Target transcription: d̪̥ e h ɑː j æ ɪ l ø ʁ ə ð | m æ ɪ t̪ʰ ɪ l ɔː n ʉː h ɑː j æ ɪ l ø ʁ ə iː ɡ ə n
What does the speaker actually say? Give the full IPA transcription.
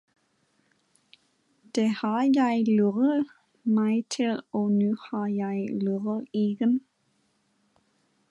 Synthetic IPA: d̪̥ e h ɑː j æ ɪ l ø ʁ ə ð | m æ ɪ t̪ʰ ɪ l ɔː n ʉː h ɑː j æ ɪ l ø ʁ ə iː ɡ ə n